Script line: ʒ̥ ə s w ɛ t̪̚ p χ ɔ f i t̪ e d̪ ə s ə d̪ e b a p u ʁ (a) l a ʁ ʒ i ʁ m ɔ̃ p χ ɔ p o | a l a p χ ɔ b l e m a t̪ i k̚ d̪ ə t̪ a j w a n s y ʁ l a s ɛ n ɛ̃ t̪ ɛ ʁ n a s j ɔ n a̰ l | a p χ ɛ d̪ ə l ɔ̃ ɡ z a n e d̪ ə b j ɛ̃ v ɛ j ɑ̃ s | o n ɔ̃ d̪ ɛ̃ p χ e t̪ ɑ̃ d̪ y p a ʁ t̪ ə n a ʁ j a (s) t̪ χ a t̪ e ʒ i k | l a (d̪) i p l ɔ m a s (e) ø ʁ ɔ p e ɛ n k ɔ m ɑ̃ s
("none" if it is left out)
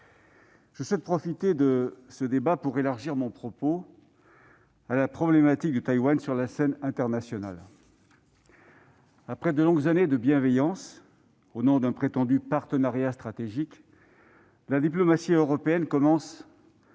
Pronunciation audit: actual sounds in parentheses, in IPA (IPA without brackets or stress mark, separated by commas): e, s, d̪, i